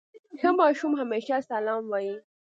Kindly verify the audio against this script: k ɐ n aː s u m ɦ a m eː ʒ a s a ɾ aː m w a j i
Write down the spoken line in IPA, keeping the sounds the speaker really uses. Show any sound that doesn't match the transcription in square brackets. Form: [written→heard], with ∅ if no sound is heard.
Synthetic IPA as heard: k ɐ [n→m] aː [s→ʃ] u m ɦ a m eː [ʒ→ʃ] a s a [ɾ→l] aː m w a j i